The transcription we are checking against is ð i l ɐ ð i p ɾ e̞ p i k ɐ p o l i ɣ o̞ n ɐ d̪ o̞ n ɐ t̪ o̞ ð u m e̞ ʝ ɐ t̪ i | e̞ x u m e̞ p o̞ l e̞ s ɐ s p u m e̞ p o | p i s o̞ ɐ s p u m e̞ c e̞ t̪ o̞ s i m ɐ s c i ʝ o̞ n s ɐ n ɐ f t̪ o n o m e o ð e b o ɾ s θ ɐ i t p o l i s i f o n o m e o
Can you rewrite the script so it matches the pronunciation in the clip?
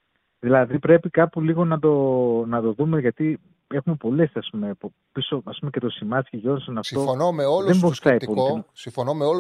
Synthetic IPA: ð i l ɐ ð i p ɾ e̞ p i k ɐ p u l i ɣ o̞ n ɐ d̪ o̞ n ɐ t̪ o̞ ð u m e̞ ʝ ɐ t̪ i | e̞ x u m e̞ p o̞ l e̞ s ɐ s p u m e̞ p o | p i s o̞ ɐ s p u m e̞ c e̞ t̪ o̞ s i m ɐ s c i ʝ o̞ n s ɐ n ɐ f t̪ o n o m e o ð e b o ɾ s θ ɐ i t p o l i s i f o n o m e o